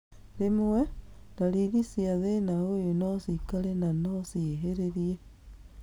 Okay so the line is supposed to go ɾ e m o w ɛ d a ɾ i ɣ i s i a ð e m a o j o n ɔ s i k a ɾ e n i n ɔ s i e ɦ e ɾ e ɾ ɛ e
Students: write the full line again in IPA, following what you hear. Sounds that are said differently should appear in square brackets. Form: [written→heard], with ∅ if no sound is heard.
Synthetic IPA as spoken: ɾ e m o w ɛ d a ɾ i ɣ i s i a ð e [m→n] a o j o n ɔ s i k a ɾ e n [i→a] n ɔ s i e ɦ e ɾ e ɾ [ɛ→i] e